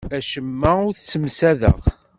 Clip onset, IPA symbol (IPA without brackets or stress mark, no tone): æ